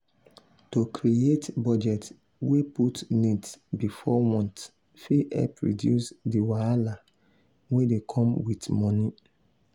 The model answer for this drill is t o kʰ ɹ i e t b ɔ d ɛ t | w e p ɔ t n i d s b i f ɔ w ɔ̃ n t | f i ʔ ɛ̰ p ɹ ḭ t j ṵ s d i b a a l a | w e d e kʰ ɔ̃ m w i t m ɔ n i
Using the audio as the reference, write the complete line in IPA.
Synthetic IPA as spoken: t o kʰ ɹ i e t b ɔ d͡ʒ ɛ t | w e p u t n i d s b i f ɔ w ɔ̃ n t | f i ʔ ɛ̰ p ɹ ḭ d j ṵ s d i w a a l a | w e d e kʰ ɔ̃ m w i t m ɔ n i